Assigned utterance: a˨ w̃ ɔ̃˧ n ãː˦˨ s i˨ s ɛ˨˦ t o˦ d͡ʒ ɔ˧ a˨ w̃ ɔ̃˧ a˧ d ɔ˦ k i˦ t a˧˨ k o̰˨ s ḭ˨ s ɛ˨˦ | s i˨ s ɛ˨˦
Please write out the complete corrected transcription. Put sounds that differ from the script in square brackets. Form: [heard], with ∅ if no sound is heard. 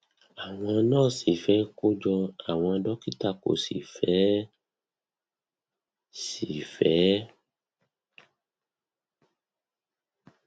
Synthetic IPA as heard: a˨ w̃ ɔ̃˧ n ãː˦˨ s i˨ [f] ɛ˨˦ [k] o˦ d͡ʒ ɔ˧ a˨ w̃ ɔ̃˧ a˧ d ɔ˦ k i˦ t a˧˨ k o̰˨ s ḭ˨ [f] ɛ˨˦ | s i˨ [f] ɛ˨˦